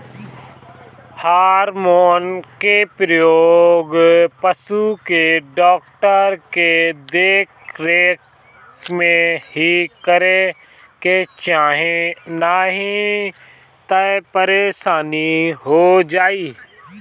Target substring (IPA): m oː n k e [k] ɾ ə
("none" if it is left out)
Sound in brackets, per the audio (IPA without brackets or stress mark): p